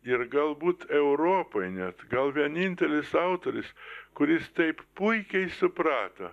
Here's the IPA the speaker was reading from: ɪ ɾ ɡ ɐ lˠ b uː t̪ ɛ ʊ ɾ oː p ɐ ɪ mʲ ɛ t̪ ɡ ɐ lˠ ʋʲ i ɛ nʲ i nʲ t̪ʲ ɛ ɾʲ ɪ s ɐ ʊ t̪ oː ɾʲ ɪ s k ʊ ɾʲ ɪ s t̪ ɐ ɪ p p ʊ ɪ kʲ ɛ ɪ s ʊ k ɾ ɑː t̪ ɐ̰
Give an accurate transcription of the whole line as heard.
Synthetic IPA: ɪ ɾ ɡ ɐ lˠ b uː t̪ ɛ ʊ ɾ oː p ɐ ɪ nʲ ɛ t̪ ɡ ɐ lˠ ʋʲ i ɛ nʲ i nʲ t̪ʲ ɛ lʲ ɪ s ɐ ʊ t̪ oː ɾʲ ɪ s k ʊ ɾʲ ɪ s t̪ ɐ ɪ p p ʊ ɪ kʲ ɛ ɪ s ʊ p ɾ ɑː t̪ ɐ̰